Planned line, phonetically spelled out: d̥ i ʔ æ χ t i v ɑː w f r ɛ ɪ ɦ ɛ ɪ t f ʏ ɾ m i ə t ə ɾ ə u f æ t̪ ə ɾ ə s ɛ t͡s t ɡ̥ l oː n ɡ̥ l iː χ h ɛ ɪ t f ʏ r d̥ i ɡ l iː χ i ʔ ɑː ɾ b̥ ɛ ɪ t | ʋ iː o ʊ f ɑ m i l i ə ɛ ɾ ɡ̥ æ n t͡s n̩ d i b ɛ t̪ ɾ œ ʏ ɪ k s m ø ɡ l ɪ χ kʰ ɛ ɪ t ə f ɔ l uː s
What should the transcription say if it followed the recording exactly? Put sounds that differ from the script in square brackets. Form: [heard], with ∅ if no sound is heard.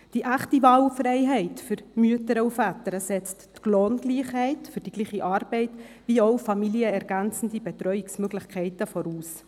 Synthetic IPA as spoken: d̥ i ʔ æ χ t i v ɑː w f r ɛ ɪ ɦ ɛ ɪ t f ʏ ɾ m [y] ə t ə ɾ ə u f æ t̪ ə ɾ ə s ɛ t͡s t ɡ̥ l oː n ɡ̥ l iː χ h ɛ ɪ t f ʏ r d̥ i ɡ l iː χ i ʔ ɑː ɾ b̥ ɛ ɪ t | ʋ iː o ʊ f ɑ m i l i ə ɛ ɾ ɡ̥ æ n t͡s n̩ d i b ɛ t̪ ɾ œ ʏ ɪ k s m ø ɡ l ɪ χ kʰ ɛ ɪ t ə f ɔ [ɾ] uː s